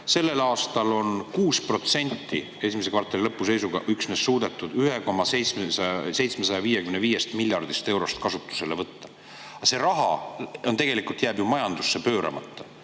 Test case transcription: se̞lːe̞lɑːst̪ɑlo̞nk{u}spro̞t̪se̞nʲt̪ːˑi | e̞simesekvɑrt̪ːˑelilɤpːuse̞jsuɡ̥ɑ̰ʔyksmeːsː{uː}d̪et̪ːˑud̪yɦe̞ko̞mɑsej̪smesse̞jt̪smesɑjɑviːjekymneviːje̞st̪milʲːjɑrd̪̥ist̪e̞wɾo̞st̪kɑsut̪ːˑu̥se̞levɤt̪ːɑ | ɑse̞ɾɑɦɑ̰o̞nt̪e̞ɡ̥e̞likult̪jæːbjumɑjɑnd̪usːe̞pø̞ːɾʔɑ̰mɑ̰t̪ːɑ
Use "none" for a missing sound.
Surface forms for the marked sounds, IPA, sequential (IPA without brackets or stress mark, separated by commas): uː, uː